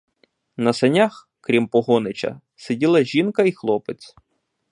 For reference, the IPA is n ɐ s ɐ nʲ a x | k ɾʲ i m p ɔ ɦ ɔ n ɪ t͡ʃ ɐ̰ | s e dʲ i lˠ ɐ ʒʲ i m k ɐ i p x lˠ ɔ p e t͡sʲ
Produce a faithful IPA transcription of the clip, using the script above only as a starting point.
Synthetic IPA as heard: n ɐ s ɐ nʲ a x | k ɾʲ i m p ɔ ɦ ɔ n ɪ t͡ʃ ɐ̰ | s e dʲ i lˠ ɐ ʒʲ i n k ɐ i x lˠ ɔ p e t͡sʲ